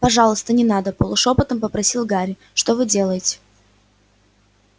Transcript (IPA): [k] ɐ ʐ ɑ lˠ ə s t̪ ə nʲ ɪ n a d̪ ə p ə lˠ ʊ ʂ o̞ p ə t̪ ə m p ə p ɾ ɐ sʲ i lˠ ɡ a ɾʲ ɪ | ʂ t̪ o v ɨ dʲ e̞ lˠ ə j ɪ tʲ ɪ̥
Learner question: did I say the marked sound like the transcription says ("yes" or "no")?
no